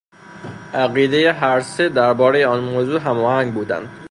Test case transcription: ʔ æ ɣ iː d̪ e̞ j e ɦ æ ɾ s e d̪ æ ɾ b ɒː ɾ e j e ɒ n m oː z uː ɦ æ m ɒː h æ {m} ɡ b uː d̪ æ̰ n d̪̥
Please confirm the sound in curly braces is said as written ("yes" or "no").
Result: no